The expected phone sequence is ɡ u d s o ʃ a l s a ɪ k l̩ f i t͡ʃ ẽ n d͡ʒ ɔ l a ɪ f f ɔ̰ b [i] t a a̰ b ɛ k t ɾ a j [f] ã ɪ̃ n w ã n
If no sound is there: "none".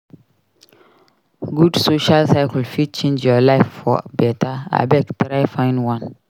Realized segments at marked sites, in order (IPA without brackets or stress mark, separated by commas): ɛ, f